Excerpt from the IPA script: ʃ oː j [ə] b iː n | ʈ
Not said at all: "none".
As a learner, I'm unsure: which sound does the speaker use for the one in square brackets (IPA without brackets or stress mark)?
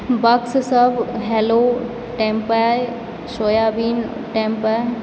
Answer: a